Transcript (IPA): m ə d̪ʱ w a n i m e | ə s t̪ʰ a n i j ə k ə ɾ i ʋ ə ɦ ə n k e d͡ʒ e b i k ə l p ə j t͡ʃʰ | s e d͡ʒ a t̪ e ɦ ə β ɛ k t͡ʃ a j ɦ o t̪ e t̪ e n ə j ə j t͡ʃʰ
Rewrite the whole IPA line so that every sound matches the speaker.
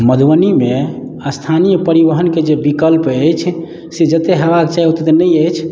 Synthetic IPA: m ə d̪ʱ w ə n i m e | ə s t̪ʰ a n i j ə p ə ɾ i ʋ ə ɦ ə n k e d͡ʒ e b i k ə l p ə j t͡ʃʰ | s e d͡ʒ ə t̪ e ɦ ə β a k t͡ʃ a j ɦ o t̪ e t̪ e n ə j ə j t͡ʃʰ